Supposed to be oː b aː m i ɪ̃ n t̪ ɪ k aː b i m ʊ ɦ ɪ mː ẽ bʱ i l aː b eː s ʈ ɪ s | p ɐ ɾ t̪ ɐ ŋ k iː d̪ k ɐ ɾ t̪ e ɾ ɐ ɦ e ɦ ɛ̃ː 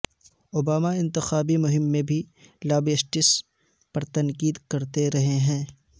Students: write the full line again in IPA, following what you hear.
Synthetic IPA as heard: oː b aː m a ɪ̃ n t̪ ɪ x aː b i m ʊ ɦ ɪ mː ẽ bʱ i l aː b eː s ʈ ɪ s | p ɐ ɾ t̪ ɐ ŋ k iː d̪ k ɐ ɾ t̪ e ɾ ɐ ɦ e ɦ ɛ̃ː